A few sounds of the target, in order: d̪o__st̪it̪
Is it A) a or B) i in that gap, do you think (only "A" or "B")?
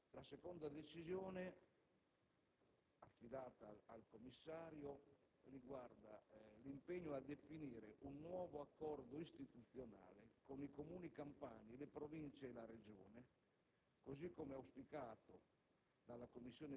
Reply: B